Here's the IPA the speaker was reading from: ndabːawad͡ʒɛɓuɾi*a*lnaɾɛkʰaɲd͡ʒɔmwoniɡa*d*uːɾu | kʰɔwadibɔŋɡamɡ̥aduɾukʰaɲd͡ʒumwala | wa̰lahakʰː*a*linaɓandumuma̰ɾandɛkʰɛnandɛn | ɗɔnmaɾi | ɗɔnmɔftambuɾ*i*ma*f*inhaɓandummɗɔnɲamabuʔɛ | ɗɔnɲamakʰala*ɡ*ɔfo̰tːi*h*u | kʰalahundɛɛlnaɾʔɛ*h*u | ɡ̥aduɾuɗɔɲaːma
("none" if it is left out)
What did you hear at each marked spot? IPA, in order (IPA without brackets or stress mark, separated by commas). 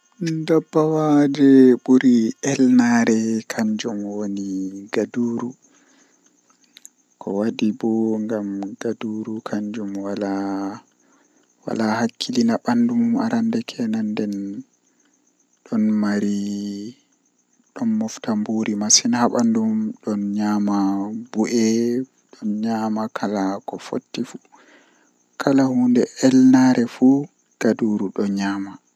ɛ, d, i, i, s, k, f, f